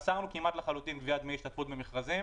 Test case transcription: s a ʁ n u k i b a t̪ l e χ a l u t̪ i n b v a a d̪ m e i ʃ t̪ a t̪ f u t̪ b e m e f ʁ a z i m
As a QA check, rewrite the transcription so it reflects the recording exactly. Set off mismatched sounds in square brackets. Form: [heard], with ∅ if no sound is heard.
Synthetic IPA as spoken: s a ʁ n u k i [m] a t̪ l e χ a l u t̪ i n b v [i] a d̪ m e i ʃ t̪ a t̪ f u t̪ b e m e [χ] ʁ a z i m